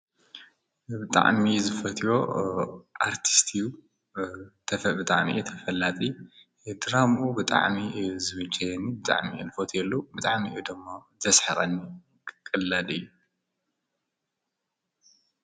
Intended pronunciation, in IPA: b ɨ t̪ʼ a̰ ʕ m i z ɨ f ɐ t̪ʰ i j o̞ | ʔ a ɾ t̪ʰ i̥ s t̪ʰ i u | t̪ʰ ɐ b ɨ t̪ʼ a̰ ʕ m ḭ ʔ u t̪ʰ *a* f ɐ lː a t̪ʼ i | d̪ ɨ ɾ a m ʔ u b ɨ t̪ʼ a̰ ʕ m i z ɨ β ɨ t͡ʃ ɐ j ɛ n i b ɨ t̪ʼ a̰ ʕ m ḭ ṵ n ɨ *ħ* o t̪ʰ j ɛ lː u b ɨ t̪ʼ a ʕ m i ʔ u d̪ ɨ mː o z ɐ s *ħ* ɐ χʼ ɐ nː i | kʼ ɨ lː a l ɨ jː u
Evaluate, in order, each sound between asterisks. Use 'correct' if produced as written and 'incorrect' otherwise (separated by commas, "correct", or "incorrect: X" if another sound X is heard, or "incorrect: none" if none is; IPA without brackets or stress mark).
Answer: incorrect: ɐ, incorrect: f, correct